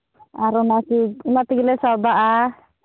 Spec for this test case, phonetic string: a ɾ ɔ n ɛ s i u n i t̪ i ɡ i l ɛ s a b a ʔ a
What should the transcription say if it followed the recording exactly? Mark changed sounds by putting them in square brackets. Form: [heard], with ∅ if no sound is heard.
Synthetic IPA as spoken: a ɾ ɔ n [a] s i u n [a] t̪ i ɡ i l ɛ s a b a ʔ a